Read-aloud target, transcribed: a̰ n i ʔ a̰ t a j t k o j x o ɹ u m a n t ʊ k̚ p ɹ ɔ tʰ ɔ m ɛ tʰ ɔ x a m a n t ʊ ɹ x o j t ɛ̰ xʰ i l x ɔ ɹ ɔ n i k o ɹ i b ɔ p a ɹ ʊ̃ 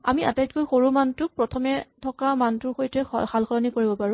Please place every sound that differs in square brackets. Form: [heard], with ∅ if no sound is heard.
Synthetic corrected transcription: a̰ [m] i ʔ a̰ t a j t k o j x o ɹ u m a n t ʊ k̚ p ɹ ɔ tʰ ɔ m ɛ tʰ ɔ [k] a m a n t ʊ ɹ x o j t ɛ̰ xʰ [a] l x ɔ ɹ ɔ n i k o ɹ i b ɔ p a ɹ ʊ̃